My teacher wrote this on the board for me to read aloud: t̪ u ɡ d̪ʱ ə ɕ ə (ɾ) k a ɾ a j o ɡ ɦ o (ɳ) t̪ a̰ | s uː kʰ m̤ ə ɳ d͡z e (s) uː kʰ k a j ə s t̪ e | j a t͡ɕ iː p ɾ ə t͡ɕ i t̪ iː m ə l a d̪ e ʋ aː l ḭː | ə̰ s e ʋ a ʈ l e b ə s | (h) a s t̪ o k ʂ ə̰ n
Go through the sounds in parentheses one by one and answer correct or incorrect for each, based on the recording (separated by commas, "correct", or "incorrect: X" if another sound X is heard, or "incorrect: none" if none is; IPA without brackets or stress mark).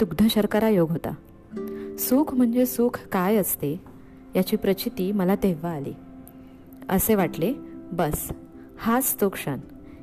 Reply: correct, incorrect: none, correct, correct